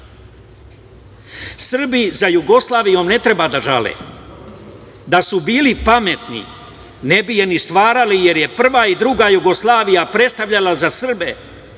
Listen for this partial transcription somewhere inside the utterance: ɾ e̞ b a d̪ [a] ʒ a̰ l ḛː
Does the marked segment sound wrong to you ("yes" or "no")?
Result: no